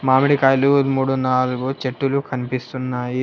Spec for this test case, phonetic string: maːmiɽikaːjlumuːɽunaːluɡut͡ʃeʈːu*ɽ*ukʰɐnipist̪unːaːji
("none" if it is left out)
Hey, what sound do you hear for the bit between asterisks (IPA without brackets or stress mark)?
l